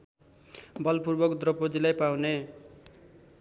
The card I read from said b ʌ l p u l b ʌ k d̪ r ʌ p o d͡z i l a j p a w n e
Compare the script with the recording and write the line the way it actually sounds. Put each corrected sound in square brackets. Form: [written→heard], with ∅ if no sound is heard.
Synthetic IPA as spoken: b ʌ l p u [l→r] b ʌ k d̪ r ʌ p o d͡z i l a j p a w n e